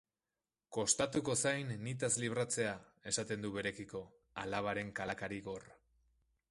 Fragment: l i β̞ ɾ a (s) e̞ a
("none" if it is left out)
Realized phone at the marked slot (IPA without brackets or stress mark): t͡s